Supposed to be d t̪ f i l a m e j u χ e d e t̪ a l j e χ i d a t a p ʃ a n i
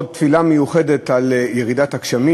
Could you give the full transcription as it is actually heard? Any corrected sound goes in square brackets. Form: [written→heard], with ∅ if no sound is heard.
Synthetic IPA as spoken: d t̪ f i l a m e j u χ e d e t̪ a l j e [χ→ʁ] i d a t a [p→k] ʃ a [n→m] i